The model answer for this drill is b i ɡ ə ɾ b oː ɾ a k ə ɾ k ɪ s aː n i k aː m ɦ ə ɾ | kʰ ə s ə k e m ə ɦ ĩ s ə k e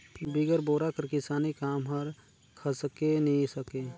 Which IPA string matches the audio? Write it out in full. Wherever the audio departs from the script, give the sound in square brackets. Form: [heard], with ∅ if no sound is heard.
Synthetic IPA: b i ɡ ə ɾ b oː ɾ a k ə ɾ k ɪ s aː n i k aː m ɦ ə ɾ | kʰ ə s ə k e [n] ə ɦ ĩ s ə k e

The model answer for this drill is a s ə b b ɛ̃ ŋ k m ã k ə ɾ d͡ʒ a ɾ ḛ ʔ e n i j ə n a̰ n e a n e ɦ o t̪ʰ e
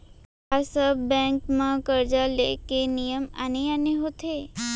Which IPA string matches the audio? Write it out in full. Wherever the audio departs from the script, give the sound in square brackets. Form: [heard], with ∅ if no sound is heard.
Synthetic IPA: a s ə b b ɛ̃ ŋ k m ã k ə ɾ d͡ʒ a [l] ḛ [k] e n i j ə [m] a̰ n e a n e ɦ o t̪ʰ e

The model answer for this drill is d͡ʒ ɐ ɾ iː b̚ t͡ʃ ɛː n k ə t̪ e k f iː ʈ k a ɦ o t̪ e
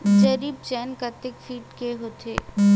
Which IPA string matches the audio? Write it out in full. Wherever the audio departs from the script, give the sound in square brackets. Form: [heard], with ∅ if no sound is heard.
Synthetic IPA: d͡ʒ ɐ ɾ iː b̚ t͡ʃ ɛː n k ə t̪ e k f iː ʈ k [e] ɦ o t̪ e

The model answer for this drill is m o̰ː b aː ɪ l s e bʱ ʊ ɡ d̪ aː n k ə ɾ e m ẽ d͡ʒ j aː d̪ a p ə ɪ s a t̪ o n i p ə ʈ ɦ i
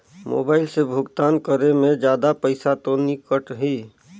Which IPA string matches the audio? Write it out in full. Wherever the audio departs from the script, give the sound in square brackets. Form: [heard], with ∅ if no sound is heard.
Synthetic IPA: m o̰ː b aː ɪ l s e bʱ ʊ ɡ [t̪] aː n k ə ɾ e m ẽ d͡ʒ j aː d̪ a p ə ɪ s a t̪ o n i [k] ə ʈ ɦ i

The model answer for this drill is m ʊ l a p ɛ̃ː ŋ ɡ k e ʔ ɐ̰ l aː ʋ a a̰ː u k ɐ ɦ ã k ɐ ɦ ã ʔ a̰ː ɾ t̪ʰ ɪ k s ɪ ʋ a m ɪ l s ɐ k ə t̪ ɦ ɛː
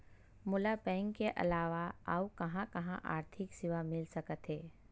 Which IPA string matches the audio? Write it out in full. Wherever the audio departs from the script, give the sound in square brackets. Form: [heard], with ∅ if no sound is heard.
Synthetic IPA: m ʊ l a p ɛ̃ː ŋ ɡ k e ʔ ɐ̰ l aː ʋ a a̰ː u k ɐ ɦ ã k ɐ ɦ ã ʔ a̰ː ɾ t̪ʰ ɪ k s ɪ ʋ a m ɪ l s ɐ k ə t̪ ɦ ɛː

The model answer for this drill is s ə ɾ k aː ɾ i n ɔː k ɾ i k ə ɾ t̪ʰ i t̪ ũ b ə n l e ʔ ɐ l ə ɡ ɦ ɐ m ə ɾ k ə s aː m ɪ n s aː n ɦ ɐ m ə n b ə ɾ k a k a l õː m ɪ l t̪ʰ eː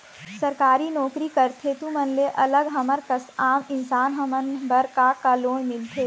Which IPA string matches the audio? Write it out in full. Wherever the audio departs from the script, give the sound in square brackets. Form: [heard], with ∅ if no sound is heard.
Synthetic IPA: s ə ɾ k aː ɾ i n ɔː k ɾ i k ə ɾ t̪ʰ [e] t̪ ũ [m] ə n l e ʔ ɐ l ə ɡ ɦ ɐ m ə ɾ k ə s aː m ɪ n s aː n ɦ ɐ m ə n b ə ɾ k a k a l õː m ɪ l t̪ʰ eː

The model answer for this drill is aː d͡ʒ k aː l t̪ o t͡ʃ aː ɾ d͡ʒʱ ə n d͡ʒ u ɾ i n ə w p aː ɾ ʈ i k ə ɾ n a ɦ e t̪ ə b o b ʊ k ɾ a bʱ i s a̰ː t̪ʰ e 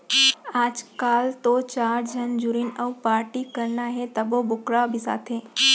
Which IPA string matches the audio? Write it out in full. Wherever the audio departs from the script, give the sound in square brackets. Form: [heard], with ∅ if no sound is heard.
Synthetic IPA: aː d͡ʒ k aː l t̪ o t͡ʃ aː ɾ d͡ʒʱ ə n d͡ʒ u ɾ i n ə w p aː ɾ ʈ i k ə ɾ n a ɦ e t̪ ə b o b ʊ k ɾ a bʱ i s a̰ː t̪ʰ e

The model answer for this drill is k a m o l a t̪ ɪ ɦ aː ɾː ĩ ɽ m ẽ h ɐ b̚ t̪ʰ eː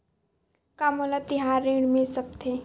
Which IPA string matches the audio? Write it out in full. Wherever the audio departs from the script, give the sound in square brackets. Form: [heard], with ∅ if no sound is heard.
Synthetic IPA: k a m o l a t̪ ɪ ɦ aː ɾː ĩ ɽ m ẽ [s] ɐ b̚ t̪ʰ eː

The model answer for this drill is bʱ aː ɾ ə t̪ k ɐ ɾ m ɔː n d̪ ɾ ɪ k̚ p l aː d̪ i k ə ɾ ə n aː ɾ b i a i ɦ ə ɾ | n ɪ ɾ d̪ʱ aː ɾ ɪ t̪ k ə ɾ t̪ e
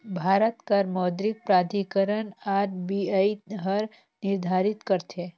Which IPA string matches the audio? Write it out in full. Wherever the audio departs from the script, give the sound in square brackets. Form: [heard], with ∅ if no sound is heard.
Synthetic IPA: bʱ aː ɾ ə t̪ k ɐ ɾ m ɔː [∅] d̪ ɾ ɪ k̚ p [ɾ] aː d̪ i k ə ɾ ə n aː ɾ b i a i ɦ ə ɾ | n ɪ ɾ d̪ʱ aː ɾ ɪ t̪ k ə ɾ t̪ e

